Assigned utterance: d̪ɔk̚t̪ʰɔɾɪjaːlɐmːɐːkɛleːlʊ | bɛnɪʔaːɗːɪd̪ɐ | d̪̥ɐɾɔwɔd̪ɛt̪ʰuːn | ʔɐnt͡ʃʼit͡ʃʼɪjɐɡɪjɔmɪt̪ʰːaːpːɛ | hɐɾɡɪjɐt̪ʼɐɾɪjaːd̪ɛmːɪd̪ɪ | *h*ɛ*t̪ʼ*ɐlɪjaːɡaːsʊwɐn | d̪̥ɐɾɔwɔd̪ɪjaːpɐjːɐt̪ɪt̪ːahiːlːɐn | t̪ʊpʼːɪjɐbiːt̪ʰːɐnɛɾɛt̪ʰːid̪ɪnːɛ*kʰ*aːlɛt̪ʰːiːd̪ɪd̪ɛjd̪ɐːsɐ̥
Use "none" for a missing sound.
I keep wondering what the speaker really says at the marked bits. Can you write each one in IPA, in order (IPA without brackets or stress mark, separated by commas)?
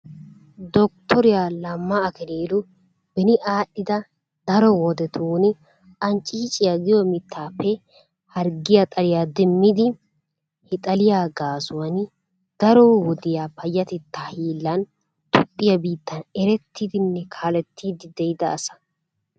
h, t̪ʼ, kʰ